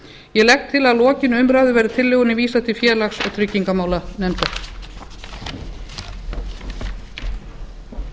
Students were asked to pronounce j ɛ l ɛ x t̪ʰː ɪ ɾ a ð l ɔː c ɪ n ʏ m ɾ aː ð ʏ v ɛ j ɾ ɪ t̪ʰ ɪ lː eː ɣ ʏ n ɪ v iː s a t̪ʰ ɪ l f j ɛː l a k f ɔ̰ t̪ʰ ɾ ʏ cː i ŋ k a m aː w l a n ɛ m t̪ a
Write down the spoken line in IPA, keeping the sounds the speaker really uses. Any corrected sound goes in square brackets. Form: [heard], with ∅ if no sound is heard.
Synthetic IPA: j ɛ l ɛ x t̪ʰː ɪ [l] a ð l ɔː c ɪ n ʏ m ɾ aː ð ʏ v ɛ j ɾ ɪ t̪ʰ ɪ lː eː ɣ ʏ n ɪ v iː s a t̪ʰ ɪ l f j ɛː l a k [s] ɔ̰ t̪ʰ ɾ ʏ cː i ŋ k a m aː w l a n ɛ m t̪ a